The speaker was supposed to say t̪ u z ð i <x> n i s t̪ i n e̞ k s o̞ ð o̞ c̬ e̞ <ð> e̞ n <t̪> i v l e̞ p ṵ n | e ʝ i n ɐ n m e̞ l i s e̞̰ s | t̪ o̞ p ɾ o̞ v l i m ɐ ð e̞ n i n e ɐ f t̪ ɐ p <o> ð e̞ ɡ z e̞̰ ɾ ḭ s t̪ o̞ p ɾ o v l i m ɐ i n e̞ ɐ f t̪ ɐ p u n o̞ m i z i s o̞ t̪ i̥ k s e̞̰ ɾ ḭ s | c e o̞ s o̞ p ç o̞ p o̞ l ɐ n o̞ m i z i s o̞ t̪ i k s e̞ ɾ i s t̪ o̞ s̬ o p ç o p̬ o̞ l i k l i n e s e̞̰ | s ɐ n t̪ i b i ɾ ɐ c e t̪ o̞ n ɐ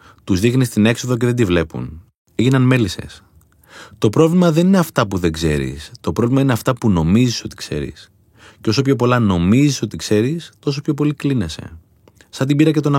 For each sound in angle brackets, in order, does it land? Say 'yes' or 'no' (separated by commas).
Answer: yes, yes, no, no